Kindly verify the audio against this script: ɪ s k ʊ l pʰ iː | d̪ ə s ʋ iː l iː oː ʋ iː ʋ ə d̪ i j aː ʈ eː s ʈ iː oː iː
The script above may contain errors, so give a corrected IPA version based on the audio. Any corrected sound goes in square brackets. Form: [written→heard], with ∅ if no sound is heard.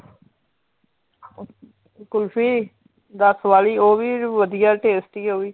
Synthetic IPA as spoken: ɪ [s→∅] k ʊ l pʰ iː | d̪ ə s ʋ [iː→aː] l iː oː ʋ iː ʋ ə d̪ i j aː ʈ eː s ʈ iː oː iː